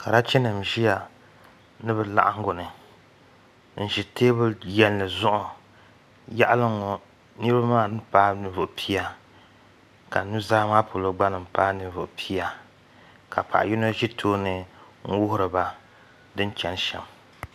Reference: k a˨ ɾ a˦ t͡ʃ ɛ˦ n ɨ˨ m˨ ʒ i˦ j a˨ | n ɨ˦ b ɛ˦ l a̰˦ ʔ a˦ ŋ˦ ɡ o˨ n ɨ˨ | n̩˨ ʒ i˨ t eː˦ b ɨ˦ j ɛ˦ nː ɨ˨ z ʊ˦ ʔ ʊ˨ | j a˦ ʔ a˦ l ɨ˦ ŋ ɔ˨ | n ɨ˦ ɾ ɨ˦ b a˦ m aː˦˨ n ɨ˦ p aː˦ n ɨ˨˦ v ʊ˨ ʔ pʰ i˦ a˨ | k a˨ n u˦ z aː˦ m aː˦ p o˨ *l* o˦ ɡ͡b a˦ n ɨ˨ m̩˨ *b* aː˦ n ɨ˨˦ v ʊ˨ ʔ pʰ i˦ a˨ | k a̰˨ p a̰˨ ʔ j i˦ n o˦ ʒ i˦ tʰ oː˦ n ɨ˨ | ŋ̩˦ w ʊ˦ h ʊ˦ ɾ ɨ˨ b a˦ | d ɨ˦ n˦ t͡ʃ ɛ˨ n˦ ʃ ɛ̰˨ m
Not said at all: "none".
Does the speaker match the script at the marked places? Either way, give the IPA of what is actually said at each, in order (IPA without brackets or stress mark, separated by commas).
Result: l, p